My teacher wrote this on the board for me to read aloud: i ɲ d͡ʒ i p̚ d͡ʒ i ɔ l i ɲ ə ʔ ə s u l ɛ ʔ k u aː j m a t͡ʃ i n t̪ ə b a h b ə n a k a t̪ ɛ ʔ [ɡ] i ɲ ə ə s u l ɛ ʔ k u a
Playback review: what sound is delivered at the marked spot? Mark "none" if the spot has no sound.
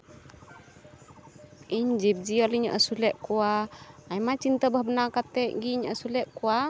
ɡ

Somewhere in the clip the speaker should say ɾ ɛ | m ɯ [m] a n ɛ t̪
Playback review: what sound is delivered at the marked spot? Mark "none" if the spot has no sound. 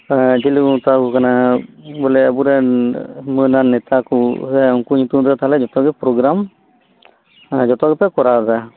n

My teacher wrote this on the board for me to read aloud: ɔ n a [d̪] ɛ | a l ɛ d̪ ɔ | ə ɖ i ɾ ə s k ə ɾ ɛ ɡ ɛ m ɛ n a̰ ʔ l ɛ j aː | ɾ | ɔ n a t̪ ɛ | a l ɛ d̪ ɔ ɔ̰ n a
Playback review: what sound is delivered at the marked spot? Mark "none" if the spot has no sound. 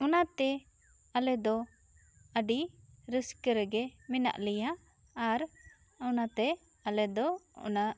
t̪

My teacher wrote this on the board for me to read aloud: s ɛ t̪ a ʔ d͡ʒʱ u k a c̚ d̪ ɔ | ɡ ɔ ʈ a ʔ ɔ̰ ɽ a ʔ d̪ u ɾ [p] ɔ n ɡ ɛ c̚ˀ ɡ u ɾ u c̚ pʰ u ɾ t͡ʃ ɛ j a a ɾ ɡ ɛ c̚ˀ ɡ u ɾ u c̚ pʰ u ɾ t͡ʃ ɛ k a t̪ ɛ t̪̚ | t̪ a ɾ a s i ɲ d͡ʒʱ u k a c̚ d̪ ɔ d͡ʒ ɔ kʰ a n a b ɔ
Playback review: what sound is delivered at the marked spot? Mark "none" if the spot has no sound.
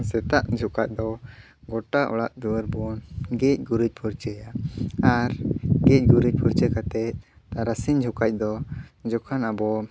b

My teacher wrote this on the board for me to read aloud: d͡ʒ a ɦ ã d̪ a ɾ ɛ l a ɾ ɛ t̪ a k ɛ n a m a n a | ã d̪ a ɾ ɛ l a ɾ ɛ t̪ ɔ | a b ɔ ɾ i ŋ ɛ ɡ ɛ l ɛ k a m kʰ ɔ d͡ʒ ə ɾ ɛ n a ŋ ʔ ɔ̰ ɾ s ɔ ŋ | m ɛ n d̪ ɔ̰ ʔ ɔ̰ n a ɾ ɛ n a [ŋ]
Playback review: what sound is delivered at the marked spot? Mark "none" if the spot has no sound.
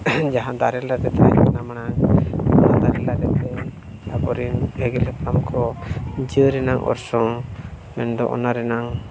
ŋ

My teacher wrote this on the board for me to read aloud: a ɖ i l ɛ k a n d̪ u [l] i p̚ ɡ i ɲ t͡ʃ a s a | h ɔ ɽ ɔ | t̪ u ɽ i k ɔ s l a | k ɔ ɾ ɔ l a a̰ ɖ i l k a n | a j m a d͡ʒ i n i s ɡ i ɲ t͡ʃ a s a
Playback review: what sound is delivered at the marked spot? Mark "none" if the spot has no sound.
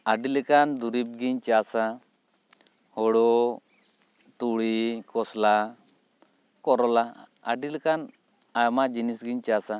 ɾ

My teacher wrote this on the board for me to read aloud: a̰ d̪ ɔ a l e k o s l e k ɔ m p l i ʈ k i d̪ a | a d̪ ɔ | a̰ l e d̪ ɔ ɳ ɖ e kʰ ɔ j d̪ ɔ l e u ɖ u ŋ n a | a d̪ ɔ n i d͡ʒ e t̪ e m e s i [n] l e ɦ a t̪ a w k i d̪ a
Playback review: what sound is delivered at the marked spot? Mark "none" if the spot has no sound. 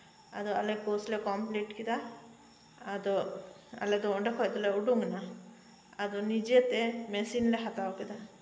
n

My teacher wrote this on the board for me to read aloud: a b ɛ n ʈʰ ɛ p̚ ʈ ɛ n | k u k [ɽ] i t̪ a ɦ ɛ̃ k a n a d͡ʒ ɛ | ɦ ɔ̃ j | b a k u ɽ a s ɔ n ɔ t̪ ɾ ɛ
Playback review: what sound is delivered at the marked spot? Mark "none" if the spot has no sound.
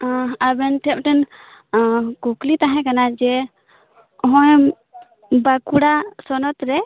l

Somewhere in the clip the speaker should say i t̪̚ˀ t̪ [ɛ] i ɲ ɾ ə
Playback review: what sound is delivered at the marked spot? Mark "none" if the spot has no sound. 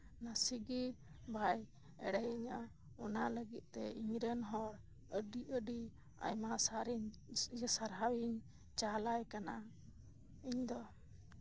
ɛ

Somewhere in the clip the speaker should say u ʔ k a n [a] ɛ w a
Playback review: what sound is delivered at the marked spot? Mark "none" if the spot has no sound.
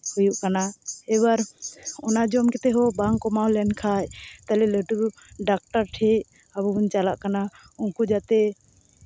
a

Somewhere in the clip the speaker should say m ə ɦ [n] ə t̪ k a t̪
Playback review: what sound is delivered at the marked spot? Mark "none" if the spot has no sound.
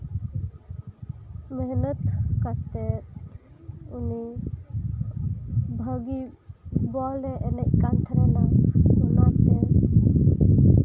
n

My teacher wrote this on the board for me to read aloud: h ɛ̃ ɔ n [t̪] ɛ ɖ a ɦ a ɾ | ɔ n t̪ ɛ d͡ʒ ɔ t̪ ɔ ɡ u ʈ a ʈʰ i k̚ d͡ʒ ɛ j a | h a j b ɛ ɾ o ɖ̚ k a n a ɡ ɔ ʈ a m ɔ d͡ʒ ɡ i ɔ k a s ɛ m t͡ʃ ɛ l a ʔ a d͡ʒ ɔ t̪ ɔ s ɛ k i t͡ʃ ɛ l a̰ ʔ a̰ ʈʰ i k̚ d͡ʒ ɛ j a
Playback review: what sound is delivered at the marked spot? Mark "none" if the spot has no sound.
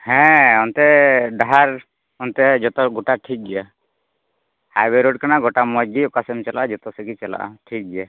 t̪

